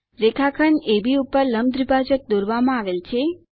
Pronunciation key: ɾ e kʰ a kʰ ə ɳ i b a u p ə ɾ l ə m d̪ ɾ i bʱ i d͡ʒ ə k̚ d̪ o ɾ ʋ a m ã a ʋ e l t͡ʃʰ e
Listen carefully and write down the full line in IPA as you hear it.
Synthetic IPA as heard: ɾ e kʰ a kʰ ə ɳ e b i u p ə ɾ l ə m d̪ ɾ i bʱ a d͡ʒ ə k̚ d̪ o ɾ ʋ a m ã a ʋ e l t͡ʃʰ e